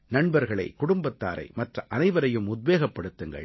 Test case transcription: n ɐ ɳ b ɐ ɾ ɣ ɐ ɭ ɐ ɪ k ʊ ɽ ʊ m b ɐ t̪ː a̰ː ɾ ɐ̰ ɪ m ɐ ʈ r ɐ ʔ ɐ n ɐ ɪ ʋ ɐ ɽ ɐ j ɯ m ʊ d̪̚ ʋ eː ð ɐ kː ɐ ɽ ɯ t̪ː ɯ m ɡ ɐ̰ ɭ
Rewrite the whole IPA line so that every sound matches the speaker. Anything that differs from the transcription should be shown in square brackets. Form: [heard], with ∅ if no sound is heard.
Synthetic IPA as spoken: n ɐ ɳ b ɐ ɾ ɣ ɐ ɭ ɐ ɪ k ʊ ɽ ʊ m b ɐ t̪ː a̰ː ɾ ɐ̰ ɪ m ɐ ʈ r ɐ ʔ ɐ n ɐ ɪ ʋ ɐ [ɾ] ɐ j ɯ m ʊ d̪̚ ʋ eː [ɣ] ɐ [pː] ɐ ɽ ɯ t̪ː ɯ [ŋ] ɡ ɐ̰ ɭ